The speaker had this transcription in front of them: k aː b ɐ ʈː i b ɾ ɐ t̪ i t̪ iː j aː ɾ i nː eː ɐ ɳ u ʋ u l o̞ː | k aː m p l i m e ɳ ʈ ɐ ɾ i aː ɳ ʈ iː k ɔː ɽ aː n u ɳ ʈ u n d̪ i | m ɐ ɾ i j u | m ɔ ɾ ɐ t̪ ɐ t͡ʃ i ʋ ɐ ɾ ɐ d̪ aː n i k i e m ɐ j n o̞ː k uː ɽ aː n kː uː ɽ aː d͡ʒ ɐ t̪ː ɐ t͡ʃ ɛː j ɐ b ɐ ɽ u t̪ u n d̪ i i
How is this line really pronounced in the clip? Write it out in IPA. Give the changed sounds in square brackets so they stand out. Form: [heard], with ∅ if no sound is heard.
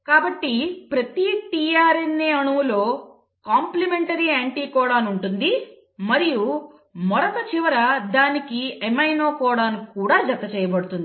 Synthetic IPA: k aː b ɐ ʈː i [p] ɾ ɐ t̪ i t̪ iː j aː ɾ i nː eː ɐ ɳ u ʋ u l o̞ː | k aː m p l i m e ɳ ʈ ɐ ɾ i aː ɳ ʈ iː k ɔː ɽ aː n u ɳ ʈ u n d̪ i | m ɐ ɾ i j u | m ɔ ɾ ɐ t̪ ɐ t͡ʃ i ʋ ɐ ɾ ɐ d̪ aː n i k i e m ɐ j n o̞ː k [ɔː] ɽ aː n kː uː ɽ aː d͡ʒ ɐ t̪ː ɐ t͡ʃ ɛː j ɐ b ɐ ɽ u t̪ u n d̪ i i